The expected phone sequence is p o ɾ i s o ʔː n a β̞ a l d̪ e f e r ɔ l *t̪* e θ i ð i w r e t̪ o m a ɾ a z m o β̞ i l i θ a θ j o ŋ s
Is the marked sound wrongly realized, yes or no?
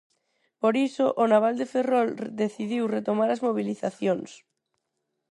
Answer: yes